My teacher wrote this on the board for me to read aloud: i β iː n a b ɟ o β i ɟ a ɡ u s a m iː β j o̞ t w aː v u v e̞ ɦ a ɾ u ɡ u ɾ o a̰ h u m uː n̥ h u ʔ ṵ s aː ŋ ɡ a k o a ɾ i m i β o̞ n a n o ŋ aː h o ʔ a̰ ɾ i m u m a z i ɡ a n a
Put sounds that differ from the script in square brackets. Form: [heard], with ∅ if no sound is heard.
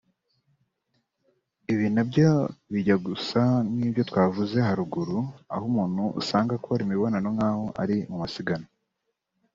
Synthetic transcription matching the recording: i β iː n a b ɟ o β i ɟ a ɡ u s a [n] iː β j o̞ t w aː v u [z] e̞ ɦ a ɾ u ɡ u ɾ [u] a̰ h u m uː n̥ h u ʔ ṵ s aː ŋ ɡ a k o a ɾ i m i β o̞ n a n o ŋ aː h o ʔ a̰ ɾ i m u m a [s] i ɡ a n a

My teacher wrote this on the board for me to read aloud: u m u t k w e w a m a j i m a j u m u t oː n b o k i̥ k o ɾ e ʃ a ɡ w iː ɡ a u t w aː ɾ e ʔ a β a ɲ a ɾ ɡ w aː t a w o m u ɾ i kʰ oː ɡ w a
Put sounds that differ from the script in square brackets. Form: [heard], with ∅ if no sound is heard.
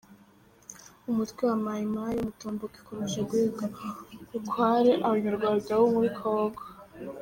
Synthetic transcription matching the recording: u m u t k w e w a m a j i m a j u m u t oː [m] b o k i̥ k o ɾ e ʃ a ɡ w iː ɡ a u [k] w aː ɾ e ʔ a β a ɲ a ɾ ɡ w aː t a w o m u ɾ i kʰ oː ɡ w a

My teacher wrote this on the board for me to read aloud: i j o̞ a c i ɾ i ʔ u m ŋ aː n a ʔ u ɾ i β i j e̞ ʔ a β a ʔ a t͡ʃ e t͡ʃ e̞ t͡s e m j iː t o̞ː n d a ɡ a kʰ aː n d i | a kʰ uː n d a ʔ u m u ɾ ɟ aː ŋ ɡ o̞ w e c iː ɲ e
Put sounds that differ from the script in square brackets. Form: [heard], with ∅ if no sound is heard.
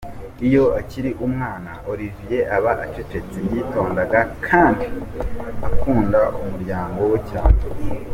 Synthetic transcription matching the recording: i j o̞ a c i ɾ i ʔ u m ŋ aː n a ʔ [o] ɾ i [v] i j e̞ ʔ a β a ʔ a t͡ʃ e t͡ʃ e̞ t͡s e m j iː t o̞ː n d a ɡ a kʰ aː n d i | a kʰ uː n d a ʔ u m u ɾ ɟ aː ŋ ɡ o̞ w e c [aː] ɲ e

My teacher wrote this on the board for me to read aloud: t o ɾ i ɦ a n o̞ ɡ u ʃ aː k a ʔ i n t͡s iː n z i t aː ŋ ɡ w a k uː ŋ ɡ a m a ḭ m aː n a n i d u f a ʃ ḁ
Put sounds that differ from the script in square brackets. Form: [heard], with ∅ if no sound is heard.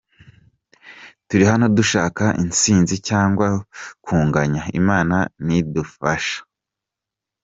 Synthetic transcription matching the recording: t [u] ɾ i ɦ a n o̞ [d] u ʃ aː k a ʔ i n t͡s iː n z i [c] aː ŋ ɡ w a k uː ŋ ɡ a [ɲ] a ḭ m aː n a n i d u f a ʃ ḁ

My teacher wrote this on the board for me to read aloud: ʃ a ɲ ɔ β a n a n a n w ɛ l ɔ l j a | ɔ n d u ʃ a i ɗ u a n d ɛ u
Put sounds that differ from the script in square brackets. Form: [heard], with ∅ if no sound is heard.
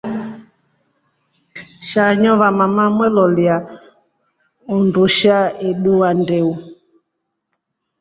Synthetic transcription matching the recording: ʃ a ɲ ɔ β a [m] a [m] a [m] w ɛ l ɔ l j a | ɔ n d u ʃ a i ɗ u a n d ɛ u

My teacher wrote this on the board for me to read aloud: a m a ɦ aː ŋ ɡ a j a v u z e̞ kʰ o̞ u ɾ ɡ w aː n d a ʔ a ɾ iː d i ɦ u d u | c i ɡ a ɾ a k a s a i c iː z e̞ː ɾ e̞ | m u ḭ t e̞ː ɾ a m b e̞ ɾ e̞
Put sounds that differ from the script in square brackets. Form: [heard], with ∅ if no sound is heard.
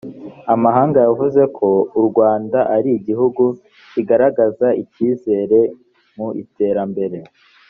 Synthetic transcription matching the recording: a m a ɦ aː ŋ ɡ a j a v u z e̞ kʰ o̞ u ɾ ɡ w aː n d a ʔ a ɾ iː [ɟ] i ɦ u [ɡ] u | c i ɡ a ɾ a [ɡ] a [z] a i c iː z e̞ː ɾ e̞ | m u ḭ t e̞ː ɾ a m b e̞ ɾ e̞

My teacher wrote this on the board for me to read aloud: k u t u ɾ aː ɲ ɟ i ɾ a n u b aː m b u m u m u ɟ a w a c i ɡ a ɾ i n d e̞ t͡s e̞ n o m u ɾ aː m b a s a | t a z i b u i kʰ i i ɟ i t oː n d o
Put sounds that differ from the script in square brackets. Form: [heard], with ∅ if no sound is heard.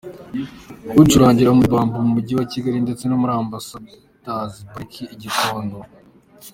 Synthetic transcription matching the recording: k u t u ɾ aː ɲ ɟ i ɾ a [m] u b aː m b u m u m u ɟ [i] w a c i ɡ a ɾ i n d e̞ t͡s e̞ n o m u ɾ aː m b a s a | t a z i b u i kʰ i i ɟ i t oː n d o

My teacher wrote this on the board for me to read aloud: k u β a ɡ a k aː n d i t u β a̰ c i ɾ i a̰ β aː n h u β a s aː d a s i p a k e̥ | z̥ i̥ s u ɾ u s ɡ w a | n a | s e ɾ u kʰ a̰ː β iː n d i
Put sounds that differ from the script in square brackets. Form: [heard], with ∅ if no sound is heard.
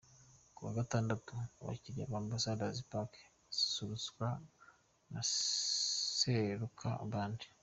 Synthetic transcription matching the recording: k u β a ɡ a [t] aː n d [a] t u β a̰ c i ɾ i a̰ β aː n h u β a s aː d a [z] i p a k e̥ | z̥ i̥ s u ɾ u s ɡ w a | n a | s e ɾ u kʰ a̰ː β [aː] n d i

